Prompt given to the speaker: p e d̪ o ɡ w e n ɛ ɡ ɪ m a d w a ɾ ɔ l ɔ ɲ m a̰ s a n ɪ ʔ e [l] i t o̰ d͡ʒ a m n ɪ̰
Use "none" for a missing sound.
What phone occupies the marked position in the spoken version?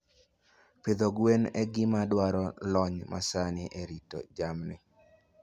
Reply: ɾ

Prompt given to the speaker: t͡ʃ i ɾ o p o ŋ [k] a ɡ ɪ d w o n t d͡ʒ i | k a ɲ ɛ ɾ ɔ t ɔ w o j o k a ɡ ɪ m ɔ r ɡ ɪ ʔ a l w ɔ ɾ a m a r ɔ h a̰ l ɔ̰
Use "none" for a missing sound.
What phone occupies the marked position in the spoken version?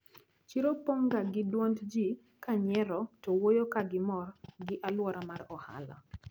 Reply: ɡ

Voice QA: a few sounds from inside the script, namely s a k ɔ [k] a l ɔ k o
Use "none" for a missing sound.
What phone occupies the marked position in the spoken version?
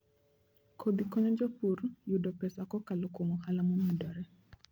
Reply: k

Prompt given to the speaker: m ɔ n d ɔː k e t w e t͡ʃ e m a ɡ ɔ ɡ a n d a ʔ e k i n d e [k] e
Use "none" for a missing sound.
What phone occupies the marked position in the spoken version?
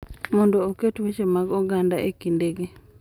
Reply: ɡ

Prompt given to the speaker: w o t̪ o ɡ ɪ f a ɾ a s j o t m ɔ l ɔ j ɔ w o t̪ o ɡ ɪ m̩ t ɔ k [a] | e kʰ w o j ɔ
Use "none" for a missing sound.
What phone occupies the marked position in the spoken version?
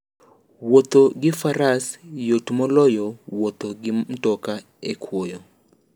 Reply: a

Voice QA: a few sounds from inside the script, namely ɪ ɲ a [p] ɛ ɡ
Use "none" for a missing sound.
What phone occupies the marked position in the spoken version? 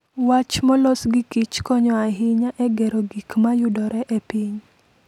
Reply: ʔ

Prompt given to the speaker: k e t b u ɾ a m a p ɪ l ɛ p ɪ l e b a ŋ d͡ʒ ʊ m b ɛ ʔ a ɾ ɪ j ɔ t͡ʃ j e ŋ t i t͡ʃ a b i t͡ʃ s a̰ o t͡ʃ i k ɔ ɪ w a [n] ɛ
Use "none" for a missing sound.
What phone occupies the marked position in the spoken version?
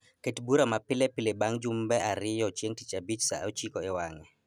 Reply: ŋ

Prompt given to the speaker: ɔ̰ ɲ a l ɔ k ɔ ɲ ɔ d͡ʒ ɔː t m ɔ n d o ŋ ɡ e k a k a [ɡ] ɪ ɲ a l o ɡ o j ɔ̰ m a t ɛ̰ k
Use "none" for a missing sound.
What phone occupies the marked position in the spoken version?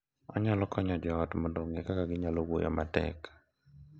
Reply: ɡ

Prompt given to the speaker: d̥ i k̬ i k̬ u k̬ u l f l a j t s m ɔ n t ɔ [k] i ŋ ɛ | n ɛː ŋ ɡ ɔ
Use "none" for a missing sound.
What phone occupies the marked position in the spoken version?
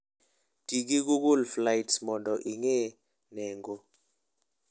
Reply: ʔ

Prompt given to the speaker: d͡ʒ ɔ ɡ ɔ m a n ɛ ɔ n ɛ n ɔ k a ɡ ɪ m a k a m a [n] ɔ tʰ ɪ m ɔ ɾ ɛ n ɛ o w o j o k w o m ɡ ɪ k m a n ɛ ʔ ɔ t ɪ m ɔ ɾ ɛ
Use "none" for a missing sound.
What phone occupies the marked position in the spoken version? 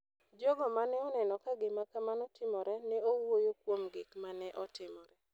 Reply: n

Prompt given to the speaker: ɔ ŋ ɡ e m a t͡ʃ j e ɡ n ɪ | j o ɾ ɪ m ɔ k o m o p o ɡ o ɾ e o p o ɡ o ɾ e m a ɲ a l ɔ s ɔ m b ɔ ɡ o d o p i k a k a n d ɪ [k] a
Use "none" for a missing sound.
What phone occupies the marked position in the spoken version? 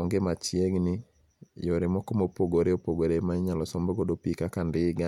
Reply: ɡ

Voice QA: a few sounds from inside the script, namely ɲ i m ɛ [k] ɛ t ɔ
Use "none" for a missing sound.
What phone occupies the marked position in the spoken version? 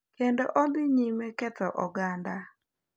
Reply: k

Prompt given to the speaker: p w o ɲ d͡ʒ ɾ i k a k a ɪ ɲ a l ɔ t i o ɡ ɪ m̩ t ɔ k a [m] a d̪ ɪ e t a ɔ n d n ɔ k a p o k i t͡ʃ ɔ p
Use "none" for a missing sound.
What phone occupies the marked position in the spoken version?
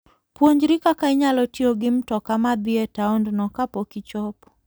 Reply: m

